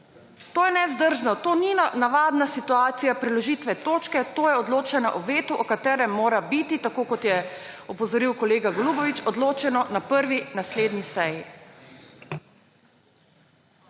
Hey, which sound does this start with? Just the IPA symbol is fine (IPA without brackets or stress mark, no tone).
t̪